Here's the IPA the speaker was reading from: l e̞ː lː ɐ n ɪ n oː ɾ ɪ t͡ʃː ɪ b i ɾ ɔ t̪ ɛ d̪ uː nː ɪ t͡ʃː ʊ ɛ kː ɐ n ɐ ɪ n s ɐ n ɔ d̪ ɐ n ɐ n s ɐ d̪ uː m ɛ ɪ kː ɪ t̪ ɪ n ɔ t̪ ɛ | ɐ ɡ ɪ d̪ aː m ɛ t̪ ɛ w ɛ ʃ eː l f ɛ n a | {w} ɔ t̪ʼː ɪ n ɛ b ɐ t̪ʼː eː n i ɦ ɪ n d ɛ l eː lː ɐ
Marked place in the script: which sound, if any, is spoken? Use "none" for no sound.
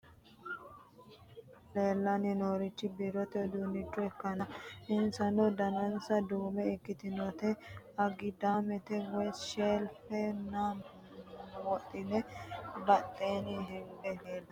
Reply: w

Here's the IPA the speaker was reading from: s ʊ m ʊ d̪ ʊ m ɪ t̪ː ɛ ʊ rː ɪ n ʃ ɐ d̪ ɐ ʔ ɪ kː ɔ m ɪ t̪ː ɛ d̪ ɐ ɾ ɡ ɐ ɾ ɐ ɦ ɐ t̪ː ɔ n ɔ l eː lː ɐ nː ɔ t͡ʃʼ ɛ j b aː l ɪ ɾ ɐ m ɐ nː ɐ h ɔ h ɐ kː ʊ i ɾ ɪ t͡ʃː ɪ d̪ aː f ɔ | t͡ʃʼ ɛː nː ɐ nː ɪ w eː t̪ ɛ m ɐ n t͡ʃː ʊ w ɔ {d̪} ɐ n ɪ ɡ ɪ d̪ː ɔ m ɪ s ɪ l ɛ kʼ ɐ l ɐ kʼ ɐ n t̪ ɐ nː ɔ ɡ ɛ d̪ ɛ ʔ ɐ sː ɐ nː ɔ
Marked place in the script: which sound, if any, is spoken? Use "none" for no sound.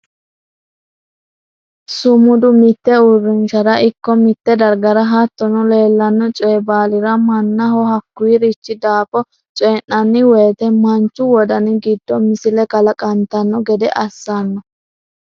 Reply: d̪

